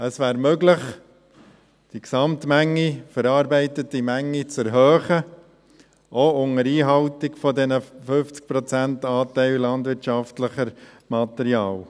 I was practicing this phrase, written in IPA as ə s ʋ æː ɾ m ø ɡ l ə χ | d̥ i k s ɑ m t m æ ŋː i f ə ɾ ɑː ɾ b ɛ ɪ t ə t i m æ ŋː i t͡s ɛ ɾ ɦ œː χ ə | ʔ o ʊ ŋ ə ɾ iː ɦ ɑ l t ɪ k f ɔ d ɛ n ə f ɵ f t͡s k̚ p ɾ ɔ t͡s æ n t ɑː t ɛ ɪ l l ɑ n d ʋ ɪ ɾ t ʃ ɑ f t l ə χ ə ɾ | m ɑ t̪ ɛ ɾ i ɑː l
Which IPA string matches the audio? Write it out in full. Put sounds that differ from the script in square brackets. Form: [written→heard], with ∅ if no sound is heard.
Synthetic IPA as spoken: ə s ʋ æː ɾ m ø ɡ l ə χ | d̥ i k s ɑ m t m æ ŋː i f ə ɾ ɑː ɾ b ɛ ɪ t ə t i m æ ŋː i t͡s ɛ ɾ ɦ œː χ ə | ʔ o ʊ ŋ ə ɾ iː ɦ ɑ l t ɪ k f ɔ d ɛ n ə f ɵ f t͡s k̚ p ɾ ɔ t͡s æ n t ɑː t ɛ ɪ l l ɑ n d ʋ ɪ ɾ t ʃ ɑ f t l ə χ ə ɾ | m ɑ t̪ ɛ ɾ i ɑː l